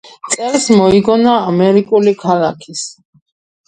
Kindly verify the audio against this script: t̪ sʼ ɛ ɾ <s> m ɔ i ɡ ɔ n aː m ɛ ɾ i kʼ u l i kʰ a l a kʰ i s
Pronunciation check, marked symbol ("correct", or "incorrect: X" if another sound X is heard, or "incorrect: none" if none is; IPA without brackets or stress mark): correct